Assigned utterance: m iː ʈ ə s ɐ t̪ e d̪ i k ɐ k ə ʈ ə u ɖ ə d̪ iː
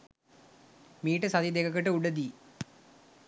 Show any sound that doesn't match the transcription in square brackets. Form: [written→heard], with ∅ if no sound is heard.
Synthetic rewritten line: m iː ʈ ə s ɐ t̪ [e→i] d̪ [i→e] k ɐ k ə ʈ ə u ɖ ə d̪ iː